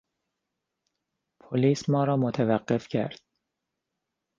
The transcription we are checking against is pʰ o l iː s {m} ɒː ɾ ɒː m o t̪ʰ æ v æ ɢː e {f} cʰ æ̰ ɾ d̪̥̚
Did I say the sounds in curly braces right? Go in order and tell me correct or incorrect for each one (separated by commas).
correct, correct